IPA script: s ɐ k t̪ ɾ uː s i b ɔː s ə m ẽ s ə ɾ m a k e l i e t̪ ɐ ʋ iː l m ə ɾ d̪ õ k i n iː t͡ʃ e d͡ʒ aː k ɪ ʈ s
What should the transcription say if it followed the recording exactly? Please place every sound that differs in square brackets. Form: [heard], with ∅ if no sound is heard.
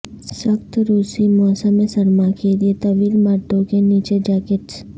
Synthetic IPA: s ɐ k t̪ ɾ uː s i [m] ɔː s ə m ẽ s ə ɾ m a k e l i e t̪ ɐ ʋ iː l m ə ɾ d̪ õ k [e] n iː t͡ʃ e d͡ʒ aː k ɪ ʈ s